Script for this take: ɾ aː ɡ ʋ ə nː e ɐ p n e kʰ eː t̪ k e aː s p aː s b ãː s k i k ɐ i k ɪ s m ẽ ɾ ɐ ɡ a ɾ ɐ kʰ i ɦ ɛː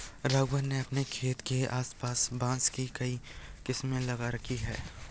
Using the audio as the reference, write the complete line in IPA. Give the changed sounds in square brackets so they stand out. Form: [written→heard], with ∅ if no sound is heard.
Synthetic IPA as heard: ɾ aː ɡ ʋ ə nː e ɐ p n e kʰ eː t̪ k e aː s p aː s b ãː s k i k ɐ i k ɪ s m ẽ [ɾ→l] ɐ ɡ a ɾ ɐ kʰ i ɦ ɛː